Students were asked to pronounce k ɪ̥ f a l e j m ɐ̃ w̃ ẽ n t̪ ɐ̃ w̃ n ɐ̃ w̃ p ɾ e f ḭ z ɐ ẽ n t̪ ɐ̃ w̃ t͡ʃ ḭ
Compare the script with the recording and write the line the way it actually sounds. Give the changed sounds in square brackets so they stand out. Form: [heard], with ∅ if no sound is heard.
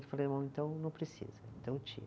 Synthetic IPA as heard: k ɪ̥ f a l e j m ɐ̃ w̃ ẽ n t̪ ɐ̃ w̃ n ɐ̃ w̃ p ɾ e [s] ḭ z ɐ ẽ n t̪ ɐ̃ w̃ t͡ʃ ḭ